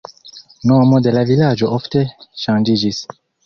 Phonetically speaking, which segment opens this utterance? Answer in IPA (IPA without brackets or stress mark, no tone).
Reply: n